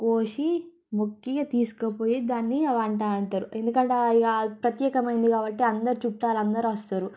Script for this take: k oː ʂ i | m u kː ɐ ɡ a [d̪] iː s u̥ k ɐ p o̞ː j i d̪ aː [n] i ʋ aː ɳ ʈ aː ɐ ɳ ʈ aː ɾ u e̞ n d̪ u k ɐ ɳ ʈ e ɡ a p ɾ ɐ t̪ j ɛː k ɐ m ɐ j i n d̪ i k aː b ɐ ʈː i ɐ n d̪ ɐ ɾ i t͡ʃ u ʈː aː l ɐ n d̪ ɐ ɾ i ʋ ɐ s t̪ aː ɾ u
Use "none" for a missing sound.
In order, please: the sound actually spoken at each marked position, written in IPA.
t̪, nː

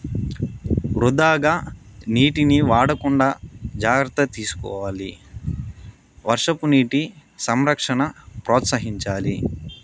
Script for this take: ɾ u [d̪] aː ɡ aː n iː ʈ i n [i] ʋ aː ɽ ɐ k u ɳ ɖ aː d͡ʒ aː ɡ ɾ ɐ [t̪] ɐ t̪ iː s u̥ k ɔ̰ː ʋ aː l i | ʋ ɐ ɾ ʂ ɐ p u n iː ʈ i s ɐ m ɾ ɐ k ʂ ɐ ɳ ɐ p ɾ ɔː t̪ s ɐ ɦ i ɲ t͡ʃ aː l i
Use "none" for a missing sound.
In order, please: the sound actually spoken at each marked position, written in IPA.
d̪, i, t̪

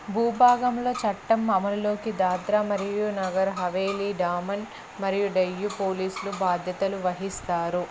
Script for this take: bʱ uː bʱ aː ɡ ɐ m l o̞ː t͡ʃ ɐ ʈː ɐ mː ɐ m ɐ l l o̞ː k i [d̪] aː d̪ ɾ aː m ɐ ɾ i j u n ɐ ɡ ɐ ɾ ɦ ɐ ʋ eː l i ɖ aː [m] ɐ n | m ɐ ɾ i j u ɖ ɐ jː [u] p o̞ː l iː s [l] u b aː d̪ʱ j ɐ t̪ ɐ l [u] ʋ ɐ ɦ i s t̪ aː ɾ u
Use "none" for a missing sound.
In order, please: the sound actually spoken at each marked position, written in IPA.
d̪, m, u, l, u

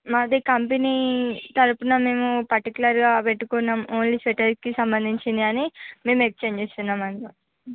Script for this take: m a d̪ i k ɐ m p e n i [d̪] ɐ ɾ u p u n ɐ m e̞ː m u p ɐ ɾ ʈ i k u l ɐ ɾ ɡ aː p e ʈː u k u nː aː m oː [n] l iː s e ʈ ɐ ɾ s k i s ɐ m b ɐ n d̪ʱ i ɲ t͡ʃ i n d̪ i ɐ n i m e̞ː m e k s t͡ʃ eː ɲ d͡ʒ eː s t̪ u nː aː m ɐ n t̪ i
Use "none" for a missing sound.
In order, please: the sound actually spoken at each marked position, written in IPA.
t̪, n

